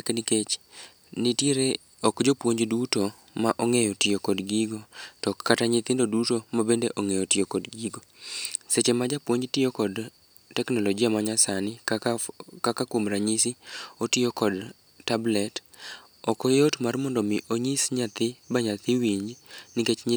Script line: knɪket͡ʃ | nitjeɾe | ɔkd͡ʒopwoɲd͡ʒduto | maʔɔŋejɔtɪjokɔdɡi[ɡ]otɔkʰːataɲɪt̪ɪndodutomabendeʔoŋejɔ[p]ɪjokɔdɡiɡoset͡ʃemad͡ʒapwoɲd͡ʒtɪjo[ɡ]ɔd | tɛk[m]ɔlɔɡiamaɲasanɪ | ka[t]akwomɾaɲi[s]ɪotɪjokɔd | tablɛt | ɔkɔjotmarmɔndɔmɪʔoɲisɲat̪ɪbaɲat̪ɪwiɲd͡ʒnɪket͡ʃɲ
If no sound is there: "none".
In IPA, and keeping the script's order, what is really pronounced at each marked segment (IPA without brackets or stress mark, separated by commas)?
ɡ, t, k, n, k, s